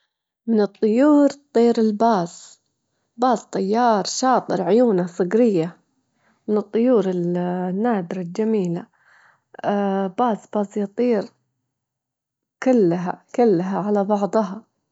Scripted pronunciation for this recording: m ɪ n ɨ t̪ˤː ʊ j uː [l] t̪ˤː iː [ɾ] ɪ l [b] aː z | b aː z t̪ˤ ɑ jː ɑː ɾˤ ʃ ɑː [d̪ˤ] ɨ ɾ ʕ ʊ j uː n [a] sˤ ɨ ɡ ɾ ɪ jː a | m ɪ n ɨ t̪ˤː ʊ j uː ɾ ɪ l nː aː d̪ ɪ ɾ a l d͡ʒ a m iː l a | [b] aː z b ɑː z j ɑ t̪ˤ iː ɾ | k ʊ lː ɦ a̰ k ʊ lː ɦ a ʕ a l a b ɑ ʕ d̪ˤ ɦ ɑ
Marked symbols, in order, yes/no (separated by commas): no, yes, yes, no, yes, yes